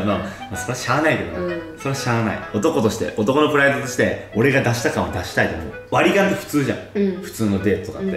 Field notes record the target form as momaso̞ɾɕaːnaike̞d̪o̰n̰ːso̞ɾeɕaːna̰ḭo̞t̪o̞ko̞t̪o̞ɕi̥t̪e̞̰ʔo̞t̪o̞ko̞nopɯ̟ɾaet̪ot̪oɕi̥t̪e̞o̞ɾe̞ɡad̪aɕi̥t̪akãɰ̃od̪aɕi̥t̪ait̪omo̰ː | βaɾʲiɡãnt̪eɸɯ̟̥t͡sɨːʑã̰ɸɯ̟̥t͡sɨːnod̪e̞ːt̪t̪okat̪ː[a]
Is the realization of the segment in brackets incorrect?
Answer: yes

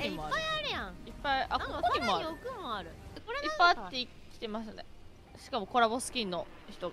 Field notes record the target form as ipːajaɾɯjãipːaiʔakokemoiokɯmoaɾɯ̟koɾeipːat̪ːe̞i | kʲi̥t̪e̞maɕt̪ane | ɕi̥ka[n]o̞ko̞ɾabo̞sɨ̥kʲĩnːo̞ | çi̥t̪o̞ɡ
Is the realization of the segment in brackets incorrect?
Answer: yes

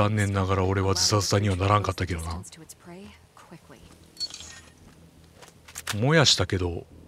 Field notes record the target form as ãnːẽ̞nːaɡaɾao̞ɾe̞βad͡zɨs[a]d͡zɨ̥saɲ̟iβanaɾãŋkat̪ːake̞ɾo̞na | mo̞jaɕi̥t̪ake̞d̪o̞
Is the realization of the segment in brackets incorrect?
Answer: no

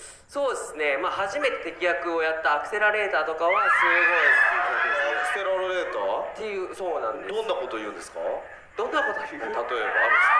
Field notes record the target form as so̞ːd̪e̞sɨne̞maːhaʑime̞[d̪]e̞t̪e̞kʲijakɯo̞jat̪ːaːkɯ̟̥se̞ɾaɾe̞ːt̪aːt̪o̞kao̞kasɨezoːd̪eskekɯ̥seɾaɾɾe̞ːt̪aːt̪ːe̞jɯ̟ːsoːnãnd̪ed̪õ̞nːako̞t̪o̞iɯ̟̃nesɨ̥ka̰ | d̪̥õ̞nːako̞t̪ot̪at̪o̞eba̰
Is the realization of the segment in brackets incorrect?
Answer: yes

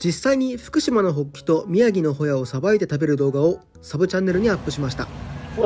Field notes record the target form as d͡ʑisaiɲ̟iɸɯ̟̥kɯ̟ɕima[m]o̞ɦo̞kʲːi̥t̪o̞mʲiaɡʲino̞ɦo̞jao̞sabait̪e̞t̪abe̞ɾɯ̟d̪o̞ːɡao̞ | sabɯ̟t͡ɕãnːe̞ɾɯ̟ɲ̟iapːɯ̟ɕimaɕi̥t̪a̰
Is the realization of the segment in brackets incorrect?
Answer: yes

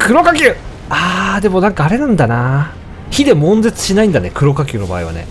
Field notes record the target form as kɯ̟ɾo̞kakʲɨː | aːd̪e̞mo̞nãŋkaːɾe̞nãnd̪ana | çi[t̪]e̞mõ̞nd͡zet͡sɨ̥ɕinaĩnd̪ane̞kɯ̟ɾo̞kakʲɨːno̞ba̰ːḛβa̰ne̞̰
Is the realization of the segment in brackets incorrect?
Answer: yes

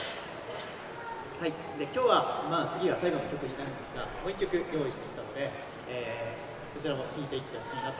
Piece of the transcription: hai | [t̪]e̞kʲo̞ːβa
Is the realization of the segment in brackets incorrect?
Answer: yes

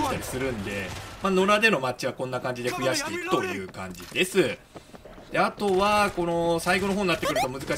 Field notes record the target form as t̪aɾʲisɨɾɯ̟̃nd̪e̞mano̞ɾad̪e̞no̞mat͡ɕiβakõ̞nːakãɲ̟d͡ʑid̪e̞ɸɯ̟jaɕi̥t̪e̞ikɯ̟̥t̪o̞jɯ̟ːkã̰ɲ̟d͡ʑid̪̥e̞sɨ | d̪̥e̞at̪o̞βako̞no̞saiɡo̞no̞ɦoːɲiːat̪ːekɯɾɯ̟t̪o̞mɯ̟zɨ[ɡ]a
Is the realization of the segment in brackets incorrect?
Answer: yes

